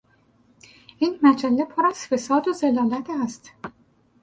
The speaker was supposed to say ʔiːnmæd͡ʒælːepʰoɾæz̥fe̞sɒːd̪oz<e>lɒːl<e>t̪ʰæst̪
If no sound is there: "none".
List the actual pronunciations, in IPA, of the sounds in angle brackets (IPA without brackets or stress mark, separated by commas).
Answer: e, æ